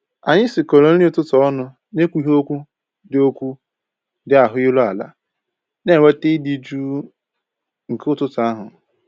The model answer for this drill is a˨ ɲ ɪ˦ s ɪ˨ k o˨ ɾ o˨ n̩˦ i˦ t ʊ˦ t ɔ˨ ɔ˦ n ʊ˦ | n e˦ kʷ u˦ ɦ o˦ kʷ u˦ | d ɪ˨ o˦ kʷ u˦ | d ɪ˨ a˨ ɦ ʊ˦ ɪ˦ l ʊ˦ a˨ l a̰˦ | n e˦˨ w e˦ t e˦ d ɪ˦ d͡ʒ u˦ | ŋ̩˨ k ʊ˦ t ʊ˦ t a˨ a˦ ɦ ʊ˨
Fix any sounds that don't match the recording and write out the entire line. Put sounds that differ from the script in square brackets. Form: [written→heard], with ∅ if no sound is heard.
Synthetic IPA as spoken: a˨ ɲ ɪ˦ s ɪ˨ k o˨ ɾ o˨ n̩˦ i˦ t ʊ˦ t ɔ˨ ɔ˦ n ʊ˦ | n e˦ kʷ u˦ ɦ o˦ kʷ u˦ | d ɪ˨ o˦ kʷ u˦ | d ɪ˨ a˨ ɦ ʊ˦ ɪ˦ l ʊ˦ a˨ l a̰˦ | n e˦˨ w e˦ t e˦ d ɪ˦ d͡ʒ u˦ | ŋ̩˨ k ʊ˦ t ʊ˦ t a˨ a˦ ɦ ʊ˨